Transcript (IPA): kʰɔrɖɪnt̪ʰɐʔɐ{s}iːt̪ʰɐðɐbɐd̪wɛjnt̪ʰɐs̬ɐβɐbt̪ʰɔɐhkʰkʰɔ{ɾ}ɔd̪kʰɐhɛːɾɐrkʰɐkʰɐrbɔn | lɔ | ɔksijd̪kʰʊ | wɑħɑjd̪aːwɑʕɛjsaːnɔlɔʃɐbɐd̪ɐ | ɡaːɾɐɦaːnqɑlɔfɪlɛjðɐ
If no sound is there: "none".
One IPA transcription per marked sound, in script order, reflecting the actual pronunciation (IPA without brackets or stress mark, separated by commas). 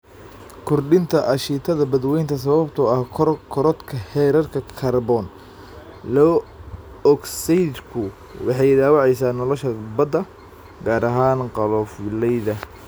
ʃ, ɾ